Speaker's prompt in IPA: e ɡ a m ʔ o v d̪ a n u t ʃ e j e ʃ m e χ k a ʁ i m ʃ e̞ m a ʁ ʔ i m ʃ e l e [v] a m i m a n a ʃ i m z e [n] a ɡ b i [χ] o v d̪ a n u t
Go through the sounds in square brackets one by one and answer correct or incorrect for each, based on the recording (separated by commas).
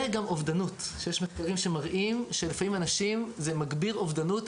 incorrect, incorrect, incorrect